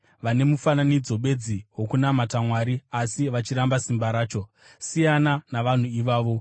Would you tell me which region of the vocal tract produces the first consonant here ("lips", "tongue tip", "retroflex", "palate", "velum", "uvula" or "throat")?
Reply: lips